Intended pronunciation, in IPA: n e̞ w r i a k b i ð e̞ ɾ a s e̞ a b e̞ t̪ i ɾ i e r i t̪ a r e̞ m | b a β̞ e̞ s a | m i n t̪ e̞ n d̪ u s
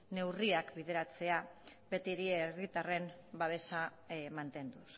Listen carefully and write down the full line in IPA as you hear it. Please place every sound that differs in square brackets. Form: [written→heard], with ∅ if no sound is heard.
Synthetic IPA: n e̞ w r i a k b i ð e̞ ɾ a [s→t͡s] e̞ a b e̞ t̪ i ɾ i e r i t̪ a r e̞ m | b a β̞ e̞ s a | m [i→a] n t̪ e̞ n d̪ u s